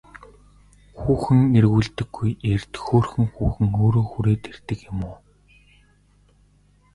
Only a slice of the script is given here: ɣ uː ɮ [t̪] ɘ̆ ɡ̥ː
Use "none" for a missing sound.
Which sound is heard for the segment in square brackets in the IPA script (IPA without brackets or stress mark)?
t̪